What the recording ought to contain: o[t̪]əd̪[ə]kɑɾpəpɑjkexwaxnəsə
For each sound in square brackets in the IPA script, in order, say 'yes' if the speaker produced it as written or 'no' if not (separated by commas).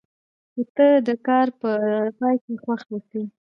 yes, yes